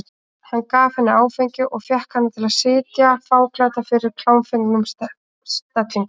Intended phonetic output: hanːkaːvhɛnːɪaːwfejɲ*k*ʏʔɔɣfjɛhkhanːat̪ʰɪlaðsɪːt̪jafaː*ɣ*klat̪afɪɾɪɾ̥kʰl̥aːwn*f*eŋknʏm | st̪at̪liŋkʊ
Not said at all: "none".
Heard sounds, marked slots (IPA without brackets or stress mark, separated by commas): c, w, f